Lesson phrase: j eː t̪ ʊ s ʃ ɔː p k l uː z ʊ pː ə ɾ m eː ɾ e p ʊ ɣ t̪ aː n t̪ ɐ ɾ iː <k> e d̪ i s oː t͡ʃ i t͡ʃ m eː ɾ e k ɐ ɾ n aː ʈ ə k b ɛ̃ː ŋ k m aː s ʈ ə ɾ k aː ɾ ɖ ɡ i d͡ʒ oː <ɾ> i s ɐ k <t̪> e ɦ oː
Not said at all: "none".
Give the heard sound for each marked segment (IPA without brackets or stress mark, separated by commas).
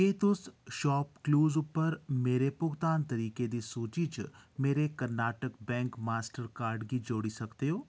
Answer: k, ɽ, t̪